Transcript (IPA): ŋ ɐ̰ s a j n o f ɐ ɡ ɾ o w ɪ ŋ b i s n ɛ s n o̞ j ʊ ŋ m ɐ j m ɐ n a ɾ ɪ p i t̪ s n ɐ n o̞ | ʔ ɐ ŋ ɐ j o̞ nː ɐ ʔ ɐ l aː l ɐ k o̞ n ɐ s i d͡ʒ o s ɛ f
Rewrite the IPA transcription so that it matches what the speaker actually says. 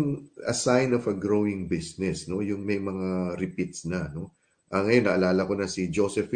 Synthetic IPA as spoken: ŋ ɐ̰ s a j n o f ɐ ɡ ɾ o w ɪ ŋ b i s n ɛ s n o̞ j ʊ ŋ m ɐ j m ɐ ŋ a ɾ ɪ p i t̪ s n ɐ n o̞ | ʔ ɐ ŋ ɐ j o̞ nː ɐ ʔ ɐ l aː l ɐ k o̞ n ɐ s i d͡ʒ o s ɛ f